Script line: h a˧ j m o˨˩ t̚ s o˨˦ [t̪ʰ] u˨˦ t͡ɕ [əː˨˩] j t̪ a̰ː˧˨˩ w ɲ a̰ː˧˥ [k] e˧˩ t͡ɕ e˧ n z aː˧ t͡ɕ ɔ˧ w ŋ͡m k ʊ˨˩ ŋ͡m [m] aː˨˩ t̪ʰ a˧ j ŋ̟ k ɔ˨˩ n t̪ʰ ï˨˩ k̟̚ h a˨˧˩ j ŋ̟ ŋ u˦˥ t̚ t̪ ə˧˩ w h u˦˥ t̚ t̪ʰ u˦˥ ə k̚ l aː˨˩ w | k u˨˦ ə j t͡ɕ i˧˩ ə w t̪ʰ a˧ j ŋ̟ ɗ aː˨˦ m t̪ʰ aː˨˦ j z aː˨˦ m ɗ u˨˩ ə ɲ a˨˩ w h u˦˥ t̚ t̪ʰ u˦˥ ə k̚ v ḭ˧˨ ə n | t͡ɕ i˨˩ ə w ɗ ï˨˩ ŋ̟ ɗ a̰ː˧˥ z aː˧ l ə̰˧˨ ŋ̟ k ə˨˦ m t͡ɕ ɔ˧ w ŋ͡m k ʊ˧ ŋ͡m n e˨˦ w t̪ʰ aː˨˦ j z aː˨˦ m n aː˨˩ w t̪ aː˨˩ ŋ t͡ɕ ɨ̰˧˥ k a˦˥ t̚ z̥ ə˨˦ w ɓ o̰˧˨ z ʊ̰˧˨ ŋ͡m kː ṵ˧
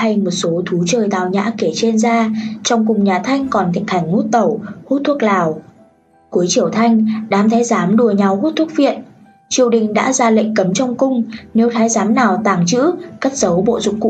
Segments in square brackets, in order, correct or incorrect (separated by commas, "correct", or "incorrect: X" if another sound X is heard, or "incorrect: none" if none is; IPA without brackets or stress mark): correct, correct, correct, incorrect: ɲ